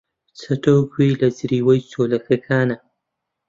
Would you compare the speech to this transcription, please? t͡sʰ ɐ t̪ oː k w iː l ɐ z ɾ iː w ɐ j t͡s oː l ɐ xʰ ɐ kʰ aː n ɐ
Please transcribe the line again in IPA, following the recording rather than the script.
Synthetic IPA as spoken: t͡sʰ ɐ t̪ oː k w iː l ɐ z ɾ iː w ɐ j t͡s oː l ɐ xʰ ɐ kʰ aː n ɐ